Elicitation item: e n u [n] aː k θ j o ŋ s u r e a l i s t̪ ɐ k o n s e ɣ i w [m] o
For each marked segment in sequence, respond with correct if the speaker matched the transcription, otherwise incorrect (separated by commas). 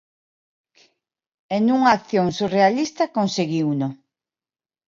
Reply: incorrect, incorrect